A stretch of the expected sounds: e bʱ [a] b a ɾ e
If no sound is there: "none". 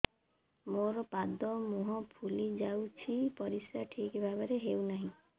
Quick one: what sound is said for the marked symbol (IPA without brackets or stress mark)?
a